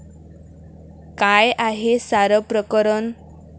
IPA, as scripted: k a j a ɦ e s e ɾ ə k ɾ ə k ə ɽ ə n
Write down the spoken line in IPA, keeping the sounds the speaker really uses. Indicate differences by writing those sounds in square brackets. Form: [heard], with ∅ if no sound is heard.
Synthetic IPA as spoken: k a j a ɦ e s [a] ɾ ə [p] ɾ ə k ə [ɾ] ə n